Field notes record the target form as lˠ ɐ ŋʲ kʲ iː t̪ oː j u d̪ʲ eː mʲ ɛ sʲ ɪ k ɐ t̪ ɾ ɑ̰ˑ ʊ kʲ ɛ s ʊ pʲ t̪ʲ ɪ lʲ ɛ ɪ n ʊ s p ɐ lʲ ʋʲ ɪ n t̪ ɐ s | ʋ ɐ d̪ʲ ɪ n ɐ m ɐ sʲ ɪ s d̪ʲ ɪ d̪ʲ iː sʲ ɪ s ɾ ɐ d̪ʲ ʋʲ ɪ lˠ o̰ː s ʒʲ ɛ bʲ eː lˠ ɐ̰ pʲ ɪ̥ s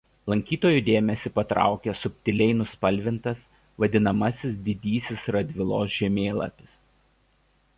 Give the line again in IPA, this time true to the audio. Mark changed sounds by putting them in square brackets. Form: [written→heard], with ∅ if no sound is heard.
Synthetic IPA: lˠ ɐ ŋʲ kʲ iː t̪ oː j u d̪ʲ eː mʲ ɛ sʲ ɪ [k→p] ɐ t̪ ɾ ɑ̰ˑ ʊ kʲ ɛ s ʊ pʲ t̪ʲ ɪ lʲ ɛ ɪ n ʊ s p ɐ lʲ ʋʲ ɪ n t̪ ɐ s | ʋ ɐ d̪ʲ ɪ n ɐ m ɐ sʲ ɪ s d̪ʲ ɪ d̪ʲ iː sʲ ɪ s ɾ ɐ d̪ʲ ʋʲ ɪ lˠ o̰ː s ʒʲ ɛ [bʲ→mʲ] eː lˠ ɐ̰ pʲ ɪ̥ s